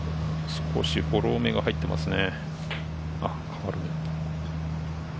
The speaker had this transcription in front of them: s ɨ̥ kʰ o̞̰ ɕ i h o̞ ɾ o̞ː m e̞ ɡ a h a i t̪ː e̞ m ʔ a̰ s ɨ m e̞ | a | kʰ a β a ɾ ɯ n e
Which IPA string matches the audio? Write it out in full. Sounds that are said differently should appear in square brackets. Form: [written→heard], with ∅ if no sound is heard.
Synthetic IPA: s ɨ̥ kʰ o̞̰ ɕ i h o̞ ɾ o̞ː m e̞ ɡ a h a i t̪ː e̞ m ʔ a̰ s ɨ [m→n] e̞ | a | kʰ a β a ɾ ɯ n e